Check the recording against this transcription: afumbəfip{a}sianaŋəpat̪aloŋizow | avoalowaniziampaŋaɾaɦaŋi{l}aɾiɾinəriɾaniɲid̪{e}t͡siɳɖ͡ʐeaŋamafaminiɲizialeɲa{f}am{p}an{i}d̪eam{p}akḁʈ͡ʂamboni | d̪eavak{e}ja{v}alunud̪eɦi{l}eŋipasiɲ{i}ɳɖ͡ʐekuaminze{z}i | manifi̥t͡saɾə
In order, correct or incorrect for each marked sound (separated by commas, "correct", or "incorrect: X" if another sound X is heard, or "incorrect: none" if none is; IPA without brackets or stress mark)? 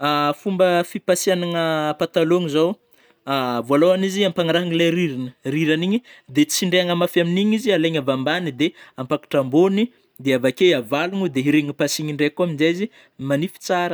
correct, correct, correct, incorrect: v, incorrect: b, correct, correct, correct, correct, incorrect: ɾ, correct, correct